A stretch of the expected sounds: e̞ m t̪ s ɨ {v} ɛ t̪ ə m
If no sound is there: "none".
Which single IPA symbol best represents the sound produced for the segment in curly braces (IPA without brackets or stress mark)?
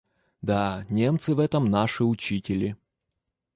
v